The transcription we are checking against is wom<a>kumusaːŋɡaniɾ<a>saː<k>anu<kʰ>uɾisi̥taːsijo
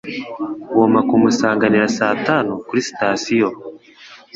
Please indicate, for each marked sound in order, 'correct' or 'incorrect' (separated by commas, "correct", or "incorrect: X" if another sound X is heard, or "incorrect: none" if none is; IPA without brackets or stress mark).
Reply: correct, correct, incorrect: t, incorrect: k